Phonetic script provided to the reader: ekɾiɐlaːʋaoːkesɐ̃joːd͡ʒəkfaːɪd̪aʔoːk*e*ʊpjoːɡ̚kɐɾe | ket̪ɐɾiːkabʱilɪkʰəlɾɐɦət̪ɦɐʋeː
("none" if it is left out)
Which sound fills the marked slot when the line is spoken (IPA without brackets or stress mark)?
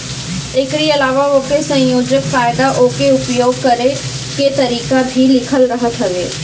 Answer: e